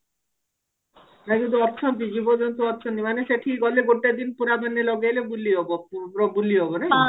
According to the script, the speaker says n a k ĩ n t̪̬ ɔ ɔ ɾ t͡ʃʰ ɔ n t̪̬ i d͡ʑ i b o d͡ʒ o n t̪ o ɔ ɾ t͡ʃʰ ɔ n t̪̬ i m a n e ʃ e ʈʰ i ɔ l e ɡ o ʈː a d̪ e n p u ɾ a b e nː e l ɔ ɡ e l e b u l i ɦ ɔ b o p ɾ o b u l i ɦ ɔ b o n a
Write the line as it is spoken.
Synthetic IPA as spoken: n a k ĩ n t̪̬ u ɔ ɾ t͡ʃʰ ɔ n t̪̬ i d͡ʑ i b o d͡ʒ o n t̪ o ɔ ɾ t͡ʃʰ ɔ n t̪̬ i m a n e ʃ e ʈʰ i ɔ l e ɡ o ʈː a d̪ i n p u ɾ a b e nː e l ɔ ɡ e l e b u l i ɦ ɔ b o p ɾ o b u l i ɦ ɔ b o n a